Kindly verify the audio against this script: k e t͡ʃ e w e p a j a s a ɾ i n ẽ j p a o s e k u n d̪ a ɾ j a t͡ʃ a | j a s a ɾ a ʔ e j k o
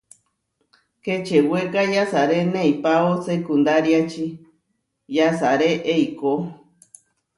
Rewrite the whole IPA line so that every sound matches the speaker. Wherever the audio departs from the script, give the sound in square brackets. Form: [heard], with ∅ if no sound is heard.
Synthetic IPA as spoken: k e t͡ʃ e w e [k] a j a s a ɾ [e] n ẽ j p a o s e k u n d̪ a ɾ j a t͡ʃ [i] | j a s a ɾ [e] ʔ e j k o